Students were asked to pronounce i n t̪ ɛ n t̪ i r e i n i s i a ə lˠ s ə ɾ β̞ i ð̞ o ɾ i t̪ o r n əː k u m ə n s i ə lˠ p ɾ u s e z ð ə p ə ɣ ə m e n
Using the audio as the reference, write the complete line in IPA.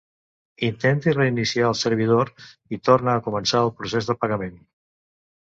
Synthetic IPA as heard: i n t̪ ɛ n t̪ i r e i n i s i a ə lˠ s ə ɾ β̞ i ð̞ o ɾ i t̪ o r n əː k u m ə n s a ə lˠ p ɾ u s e z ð ə p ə ɣ ə m e n